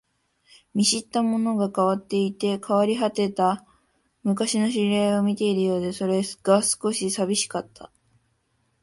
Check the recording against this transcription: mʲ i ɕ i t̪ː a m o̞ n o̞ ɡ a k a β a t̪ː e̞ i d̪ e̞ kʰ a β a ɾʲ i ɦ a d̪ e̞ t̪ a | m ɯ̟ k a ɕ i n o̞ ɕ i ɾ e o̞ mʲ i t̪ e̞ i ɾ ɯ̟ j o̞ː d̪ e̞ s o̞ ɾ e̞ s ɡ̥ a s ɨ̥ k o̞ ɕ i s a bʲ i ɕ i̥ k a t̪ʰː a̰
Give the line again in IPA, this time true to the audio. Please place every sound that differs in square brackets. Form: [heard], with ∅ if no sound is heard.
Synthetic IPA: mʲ i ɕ i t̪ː a m o̞ n o̞ ɡ a k a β a t̪ː e̞ i [t̪] e̞ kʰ a β a ɾʲ i ɦ a [t̪] e̞ t̪ a | m ɯ̟ k a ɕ i n o̞ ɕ i ɾ e o̞ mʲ i t̪ e̞ i ɾ ɯ̟ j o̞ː d̪ e̞ s o̞ ɾ e̞ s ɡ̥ a s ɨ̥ k o̞ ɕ i s a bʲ i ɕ i̥ k a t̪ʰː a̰